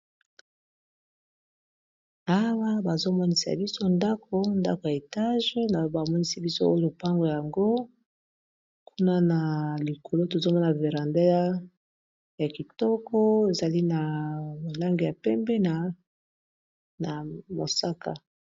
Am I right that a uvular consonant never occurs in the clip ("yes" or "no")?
no